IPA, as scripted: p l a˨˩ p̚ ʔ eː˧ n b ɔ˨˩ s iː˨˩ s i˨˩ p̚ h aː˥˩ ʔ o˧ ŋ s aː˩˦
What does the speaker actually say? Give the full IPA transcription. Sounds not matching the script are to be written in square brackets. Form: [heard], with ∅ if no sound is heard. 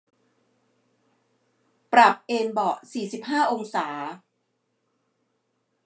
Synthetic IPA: p [ɾ] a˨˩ p̚ ʔ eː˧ n b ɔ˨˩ s iː˨˩ s i˨˩ p̚ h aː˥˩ ʔ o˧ ŋ s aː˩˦